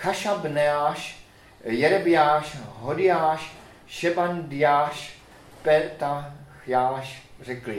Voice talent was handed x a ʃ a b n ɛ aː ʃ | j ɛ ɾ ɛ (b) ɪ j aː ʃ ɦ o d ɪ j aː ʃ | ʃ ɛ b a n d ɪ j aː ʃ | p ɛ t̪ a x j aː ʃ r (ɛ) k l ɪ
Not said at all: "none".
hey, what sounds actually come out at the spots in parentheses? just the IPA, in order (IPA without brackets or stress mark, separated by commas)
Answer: b, ɛ